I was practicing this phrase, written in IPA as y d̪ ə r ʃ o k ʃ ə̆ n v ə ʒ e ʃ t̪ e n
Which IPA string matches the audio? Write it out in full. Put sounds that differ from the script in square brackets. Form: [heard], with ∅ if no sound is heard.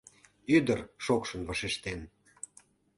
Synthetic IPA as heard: y d̪ ə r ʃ o k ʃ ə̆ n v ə [ʃ] e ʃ t̪ e n